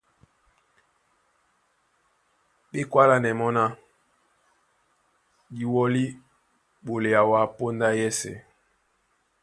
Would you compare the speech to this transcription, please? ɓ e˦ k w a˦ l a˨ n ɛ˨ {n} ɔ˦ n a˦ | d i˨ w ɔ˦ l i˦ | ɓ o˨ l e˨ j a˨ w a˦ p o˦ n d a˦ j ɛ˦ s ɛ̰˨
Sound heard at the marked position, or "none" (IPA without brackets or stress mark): m